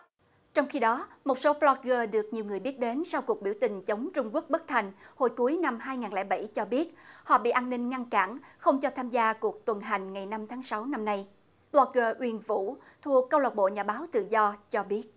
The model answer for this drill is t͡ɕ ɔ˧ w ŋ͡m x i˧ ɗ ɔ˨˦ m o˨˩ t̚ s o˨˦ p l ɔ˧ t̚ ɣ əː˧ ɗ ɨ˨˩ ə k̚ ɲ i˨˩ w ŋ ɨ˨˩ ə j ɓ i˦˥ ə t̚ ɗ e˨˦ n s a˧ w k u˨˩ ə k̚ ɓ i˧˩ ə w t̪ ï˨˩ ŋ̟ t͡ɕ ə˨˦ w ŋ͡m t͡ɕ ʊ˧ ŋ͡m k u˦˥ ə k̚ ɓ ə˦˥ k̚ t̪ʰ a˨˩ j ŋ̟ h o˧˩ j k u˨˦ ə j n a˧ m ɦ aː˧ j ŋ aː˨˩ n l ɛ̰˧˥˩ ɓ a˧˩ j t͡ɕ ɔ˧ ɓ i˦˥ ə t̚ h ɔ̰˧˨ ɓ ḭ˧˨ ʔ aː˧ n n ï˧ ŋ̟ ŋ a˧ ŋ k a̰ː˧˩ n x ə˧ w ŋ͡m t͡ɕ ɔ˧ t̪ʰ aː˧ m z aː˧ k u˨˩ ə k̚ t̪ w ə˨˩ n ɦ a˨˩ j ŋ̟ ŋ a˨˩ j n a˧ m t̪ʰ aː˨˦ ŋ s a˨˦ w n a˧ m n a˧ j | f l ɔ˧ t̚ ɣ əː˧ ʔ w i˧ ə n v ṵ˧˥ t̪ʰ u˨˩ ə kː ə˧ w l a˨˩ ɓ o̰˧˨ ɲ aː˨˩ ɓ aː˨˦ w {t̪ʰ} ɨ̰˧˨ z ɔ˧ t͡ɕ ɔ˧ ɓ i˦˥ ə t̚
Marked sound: incorrect: t̪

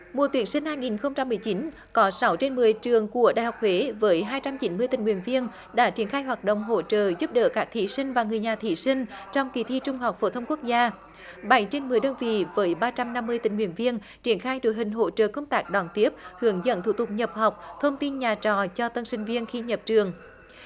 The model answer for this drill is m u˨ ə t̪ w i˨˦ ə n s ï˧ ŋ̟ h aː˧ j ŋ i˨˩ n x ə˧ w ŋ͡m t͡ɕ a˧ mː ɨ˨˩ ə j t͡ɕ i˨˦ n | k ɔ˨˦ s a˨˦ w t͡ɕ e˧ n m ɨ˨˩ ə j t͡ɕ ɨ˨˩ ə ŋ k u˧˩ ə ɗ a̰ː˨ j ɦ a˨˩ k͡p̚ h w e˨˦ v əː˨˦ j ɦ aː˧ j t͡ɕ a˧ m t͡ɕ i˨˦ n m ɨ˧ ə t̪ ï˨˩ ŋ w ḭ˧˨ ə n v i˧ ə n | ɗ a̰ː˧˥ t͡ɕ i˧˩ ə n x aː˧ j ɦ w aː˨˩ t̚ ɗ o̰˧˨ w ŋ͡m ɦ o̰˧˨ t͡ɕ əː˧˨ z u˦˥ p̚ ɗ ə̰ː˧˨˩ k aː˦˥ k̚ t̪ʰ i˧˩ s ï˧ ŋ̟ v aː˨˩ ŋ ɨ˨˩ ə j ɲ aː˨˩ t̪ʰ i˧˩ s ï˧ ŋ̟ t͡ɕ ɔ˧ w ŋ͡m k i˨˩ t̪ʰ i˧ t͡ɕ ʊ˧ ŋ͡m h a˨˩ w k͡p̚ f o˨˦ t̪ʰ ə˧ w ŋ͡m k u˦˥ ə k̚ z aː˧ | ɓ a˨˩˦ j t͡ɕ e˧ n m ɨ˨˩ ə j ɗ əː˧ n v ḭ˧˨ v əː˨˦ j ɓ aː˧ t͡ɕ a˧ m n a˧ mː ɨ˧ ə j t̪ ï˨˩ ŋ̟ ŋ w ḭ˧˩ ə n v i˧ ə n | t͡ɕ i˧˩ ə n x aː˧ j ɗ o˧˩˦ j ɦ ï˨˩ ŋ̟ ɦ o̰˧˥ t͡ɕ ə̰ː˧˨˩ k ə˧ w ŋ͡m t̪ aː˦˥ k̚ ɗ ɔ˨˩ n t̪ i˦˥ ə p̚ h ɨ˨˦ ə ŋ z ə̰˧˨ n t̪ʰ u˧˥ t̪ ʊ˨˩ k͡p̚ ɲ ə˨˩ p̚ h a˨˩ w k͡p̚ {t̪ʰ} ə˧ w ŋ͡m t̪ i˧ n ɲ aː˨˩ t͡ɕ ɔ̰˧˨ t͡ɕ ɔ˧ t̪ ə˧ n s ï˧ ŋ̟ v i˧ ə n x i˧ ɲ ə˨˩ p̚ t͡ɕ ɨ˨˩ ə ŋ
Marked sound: correct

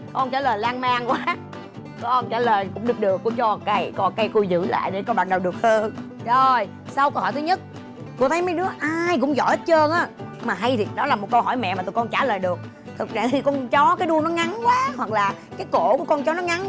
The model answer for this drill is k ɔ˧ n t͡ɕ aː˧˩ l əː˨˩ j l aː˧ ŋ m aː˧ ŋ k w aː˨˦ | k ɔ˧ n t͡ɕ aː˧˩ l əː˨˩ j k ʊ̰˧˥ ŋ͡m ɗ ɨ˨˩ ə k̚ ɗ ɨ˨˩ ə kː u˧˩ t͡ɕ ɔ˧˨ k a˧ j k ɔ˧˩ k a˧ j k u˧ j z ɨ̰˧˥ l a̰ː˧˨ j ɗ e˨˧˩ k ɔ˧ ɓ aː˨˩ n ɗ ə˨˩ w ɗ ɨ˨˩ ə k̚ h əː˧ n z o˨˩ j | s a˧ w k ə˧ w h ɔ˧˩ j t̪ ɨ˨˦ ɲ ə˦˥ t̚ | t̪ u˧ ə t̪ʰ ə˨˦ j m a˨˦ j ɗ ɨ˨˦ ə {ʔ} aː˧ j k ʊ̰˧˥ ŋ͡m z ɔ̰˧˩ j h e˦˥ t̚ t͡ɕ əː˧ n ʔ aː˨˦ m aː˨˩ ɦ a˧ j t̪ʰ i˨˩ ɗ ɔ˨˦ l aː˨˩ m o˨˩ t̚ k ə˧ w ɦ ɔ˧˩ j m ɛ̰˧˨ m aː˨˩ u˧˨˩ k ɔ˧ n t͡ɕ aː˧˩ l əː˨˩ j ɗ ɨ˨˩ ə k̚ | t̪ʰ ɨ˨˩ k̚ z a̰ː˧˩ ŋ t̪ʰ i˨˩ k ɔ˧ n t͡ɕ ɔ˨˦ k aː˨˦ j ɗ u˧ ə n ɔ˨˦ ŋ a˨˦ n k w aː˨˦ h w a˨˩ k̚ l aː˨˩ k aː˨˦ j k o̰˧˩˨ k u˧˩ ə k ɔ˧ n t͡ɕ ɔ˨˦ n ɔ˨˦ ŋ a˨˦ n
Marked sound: correct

